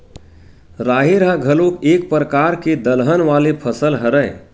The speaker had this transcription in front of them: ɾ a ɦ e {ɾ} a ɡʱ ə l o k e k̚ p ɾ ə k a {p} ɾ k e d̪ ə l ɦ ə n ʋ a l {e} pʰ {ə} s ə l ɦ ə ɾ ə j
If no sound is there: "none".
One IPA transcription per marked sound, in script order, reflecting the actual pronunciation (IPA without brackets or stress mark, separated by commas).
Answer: ɾ, none, e, ə